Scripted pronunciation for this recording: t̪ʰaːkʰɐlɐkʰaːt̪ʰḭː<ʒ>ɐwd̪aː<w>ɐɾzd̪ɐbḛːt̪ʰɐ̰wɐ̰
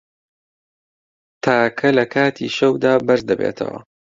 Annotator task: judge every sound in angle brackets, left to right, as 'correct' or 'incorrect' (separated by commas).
incorrect, incorrect